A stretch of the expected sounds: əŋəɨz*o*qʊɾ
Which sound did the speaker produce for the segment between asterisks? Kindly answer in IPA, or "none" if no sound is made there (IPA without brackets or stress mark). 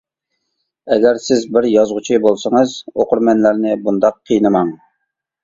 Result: o